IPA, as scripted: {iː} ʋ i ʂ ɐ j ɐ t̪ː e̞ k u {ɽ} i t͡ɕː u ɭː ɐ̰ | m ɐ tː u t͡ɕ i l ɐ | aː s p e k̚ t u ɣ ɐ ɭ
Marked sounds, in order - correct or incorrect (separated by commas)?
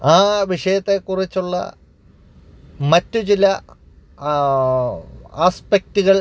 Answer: incorrect, incorrect